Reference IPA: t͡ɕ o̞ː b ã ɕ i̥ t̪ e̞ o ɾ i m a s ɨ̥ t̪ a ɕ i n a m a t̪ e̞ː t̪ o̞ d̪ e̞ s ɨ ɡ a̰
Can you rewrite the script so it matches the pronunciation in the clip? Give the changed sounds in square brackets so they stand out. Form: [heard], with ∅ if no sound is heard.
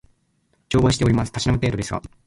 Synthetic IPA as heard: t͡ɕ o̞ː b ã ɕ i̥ t̪ e̞ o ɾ i m a s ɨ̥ t̪ a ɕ i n a m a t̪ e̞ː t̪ o̞ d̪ e̞ s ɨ ɡ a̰